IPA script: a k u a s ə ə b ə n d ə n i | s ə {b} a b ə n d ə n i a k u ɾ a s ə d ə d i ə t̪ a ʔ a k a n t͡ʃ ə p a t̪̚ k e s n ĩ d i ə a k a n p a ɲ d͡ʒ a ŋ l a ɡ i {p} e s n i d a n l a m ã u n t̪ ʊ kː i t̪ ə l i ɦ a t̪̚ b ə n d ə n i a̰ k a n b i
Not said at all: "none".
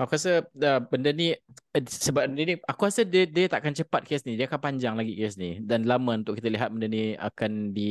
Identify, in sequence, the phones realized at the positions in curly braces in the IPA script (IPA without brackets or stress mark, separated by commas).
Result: b, k